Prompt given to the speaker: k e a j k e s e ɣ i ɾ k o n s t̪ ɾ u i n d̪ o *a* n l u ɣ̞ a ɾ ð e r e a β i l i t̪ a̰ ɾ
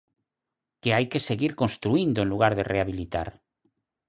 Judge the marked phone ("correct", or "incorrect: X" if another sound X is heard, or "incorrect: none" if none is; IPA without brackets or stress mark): incorrect: e